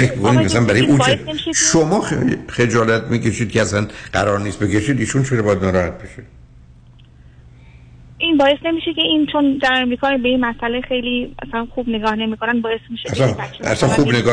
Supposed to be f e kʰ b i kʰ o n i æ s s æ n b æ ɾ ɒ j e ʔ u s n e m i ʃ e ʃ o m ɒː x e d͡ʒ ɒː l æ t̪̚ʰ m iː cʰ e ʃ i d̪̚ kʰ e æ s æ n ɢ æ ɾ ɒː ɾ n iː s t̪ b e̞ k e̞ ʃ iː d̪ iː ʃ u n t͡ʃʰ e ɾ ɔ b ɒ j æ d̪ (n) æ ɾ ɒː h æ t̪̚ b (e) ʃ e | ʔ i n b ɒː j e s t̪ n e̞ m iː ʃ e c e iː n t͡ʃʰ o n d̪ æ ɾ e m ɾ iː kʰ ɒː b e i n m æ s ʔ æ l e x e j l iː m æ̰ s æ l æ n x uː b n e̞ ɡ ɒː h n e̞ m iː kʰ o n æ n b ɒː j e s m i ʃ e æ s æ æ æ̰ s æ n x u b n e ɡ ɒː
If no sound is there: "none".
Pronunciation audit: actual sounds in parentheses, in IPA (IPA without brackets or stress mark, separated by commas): n, e